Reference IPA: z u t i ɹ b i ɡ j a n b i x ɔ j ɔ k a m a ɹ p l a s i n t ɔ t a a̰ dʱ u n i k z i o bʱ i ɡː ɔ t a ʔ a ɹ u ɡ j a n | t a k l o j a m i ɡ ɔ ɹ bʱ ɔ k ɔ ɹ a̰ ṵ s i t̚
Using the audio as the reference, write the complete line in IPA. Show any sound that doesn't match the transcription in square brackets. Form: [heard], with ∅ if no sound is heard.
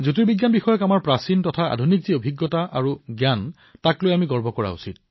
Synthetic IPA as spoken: z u t i ɹ b i ɡ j a n b i x ɔ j ɔ k a m a ɹ p [ɹ] a s i n t ɔ [tʰ] a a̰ dʱ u n i k z i o bʱ i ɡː ɔ t a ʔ a ɹ u ɡ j a n | t a k l o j a m i ɡ ɔ ɹ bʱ ɔ k ɔ ɹ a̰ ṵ s i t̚